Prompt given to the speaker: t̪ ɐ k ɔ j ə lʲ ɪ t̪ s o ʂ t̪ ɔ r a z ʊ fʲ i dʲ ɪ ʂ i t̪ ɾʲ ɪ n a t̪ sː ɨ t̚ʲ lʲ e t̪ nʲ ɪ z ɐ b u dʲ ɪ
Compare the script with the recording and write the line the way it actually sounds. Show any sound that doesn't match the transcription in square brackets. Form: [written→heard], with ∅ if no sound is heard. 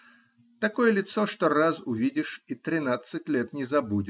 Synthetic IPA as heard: t̪ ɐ k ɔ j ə lʲ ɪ t̪ s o ʂ t̪ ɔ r a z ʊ [fʲ→vʲ] i dʲ ɪ ʂ i t̪ ɾʲ ɪ n a t̪ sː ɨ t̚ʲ lʲ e t̪ nʲ ɪ z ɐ b u dʲ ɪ